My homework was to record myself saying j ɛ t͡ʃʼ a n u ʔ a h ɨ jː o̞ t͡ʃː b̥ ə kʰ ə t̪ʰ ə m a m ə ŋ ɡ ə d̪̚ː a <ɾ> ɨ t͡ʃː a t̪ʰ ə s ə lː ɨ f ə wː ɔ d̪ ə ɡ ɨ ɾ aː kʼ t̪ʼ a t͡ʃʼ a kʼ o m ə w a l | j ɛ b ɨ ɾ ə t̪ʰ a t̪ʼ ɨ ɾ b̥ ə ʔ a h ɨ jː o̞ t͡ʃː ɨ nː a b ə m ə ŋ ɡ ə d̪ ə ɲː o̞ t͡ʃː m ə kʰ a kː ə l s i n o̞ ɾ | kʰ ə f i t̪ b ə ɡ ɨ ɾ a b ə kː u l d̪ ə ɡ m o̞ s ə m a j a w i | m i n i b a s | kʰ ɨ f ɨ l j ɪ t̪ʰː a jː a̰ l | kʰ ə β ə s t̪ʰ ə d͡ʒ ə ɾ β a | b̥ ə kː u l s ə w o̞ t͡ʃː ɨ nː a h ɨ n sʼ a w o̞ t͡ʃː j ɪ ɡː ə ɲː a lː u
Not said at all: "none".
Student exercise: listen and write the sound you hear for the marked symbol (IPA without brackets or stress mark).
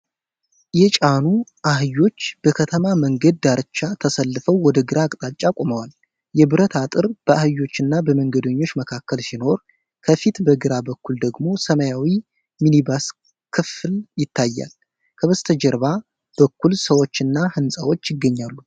ɾ